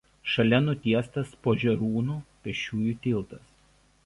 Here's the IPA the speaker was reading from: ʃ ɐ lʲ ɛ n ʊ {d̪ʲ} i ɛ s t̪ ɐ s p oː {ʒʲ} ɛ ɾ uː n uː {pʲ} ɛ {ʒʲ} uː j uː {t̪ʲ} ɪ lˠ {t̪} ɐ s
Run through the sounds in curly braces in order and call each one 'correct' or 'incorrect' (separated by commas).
incorrect, correct, correct, incorrect, correct, correct